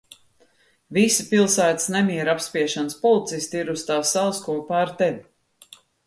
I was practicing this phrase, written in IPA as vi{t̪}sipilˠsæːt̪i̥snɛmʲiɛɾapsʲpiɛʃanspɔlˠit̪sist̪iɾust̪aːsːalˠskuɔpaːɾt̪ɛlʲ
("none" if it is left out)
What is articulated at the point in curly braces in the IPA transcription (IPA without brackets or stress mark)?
none